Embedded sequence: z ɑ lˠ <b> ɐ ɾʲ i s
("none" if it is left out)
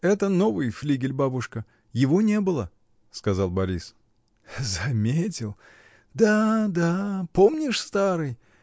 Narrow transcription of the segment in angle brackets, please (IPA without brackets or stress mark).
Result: b